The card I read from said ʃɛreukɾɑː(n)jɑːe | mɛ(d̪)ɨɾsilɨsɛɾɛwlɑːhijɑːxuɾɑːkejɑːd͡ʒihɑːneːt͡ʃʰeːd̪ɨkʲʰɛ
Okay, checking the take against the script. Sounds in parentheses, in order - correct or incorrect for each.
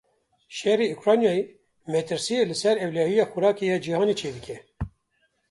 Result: correct, incorrect: t̪

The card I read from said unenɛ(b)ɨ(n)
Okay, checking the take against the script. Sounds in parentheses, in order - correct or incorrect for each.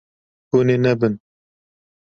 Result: correct, correct

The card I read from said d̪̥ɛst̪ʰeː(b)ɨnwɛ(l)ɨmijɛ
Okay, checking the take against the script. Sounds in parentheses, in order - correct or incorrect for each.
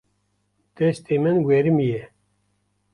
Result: incorrect: m, incorrect: ɾ

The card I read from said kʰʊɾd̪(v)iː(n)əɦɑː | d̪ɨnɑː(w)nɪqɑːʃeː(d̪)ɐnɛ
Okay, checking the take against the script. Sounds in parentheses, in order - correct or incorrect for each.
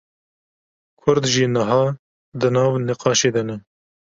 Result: incorrect: ʒ, correct, incorrect: v, correct

